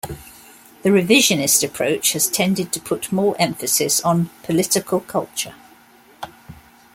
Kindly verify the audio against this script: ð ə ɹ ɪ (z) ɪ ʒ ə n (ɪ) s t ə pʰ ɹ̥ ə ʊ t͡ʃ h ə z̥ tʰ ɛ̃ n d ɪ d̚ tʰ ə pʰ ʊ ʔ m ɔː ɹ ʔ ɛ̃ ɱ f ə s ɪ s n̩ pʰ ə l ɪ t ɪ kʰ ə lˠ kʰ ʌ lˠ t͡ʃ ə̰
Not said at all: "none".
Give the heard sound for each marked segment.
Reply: v, ɪ

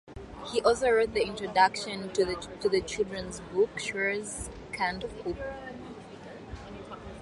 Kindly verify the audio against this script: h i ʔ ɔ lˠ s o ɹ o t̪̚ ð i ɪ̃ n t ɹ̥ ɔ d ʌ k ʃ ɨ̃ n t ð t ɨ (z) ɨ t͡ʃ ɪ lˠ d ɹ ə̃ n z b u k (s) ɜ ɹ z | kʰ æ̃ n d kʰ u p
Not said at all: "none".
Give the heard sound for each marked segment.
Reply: ð, ʃ

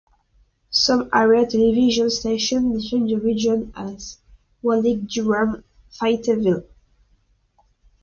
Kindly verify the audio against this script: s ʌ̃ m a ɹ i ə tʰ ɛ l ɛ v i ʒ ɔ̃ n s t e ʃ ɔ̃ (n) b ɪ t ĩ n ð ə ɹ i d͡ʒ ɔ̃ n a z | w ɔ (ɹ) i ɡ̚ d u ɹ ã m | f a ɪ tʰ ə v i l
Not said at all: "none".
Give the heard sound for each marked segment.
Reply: n, l

